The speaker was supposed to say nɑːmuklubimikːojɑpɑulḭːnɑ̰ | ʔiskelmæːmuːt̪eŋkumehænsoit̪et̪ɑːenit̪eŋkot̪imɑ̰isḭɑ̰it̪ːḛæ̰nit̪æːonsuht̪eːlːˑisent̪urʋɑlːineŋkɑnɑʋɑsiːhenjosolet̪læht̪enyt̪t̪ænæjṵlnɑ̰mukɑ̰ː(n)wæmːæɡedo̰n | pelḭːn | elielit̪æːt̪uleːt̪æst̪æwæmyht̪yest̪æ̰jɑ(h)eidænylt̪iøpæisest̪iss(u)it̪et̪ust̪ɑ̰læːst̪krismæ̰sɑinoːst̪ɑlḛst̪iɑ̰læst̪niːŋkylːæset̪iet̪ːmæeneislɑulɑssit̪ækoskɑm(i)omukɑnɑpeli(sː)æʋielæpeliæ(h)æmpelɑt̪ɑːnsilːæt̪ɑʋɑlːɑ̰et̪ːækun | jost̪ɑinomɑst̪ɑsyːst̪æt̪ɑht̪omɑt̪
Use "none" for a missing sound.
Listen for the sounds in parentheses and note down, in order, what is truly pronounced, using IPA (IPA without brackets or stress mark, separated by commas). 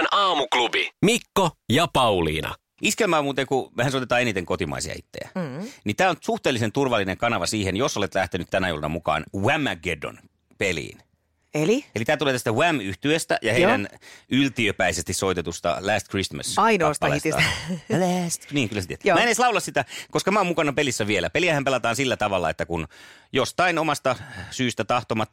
n, h, o, æ, sː, h